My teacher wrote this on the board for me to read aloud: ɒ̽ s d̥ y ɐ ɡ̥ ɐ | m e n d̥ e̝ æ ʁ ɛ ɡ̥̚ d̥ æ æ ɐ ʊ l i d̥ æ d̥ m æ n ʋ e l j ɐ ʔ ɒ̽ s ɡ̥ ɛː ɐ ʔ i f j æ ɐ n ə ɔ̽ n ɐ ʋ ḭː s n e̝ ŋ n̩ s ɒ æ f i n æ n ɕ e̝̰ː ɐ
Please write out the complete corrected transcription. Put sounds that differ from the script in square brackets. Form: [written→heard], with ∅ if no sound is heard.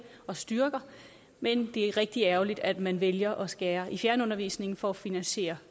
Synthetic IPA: ɒ̽ s d̥ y ɐ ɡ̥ ɐ | m e n d̥ e̝ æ ʁ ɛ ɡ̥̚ d̥ [æ→i] æ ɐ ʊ l i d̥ æ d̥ m æ n ʋ e l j ɐ ʔ ɒ̽ s ɡ̥ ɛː ɐ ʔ i f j æ ɐ n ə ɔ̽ n ɐ ʋ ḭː s n e̝ ŋ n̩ [s→f] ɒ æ f i n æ n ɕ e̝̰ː ɐ